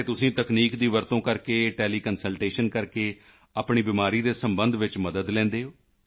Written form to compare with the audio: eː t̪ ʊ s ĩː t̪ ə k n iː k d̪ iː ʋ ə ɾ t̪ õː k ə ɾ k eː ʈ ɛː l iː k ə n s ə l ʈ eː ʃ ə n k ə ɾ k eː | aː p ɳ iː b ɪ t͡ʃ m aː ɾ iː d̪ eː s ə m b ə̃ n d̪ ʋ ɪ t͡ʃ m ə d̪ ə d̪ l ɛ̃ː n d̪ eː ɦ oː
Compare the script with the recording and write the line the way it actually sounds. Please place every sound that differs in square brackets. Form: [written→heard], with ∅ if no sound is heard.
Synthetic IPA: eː t̪ ʊ s ĩː t̪ ə k n iː k d̪ iː ʋ ə ɾ t̪ õː k ə ɾ k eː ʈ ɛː l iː k ə n s ə l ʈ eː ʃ ə n k ə ɾ k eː | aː p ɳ iː b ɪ [t͡ʃ→∅] m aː ɾ iː d̪ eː s ə m b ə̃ n d̪ ʋ ɪ t͡ʃ m ə d̪ ə d̪ l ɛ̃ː n d̪ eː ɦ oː